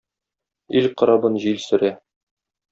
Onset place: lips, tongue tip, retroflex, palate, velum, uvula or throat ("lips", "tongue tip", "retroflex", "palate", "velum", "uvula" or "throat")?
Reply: tongue tip